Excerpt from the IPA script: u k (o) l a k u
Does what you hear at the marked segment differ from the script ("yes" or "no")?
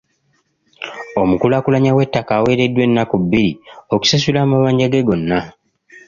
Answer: yes